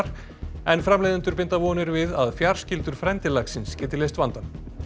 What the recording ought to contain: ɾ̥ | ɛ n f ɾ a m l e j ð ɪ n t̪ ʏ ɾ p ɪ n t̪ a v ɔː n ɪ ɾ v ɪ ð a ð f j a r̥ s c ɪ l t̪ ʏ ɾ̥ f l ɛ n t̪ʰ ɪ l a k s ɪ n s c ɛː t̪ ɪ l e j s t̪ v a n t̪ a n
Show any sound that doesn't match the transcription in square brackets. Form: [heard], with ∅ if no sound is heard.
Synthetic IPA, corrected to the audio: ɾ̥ | ɛ n f ɾ a m l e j ð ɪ n t̪ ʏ ɾ p ɪ n t̪ a v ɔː n ɪ ɾ v ɪ ð a ð f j a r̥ s c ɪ l t̪ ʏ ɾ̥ f [ɾ] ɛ n [t̪] ɪ l a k s ɪ n s c ɛː t̪ ɪ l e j s t̪ v a n t̪ a n